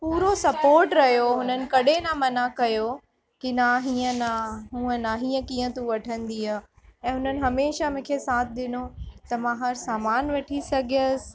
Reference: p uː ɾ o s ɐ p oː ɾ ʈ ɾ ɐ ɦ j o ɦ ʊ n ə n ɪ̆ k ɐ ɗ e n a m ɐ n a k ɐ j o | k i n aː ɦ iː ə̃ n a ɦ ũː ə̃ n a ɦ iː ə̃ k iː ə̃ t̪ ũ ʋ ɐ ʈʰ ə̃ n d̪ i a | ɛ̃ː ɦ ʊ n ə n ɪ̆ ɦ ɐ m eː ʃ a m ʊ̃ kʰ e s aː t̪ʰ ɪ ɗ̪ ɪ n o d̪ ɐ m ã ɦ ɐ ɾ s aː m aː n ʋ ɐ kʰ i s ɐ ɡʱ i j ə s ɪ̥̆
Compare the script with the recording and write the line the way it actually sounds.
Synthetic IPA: p uː ɾ o s ɐ p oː ɾ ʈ ɾ ɐ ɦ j o ɦ ʊ n ə n ɪ̆ k ɐ ɗ e n a m ɐ n a k ɐ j o | k i n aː ɦ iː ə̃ n a ɦ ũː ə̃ n a ɦ iː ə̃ k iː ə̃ t̪ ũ ʋ ɐ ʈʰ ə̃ n d̪ i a | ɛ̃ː ɦ ʊ n ə n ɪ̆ ɦ ɐ m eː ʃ a m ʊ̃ kʰ e s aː t̪ʰ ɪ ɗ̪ ɪ n o t̪ ɐ m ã ɦ ɐ ɾ s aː m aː n ʋ ɐ ʈʰ i s ɐ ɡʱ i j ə s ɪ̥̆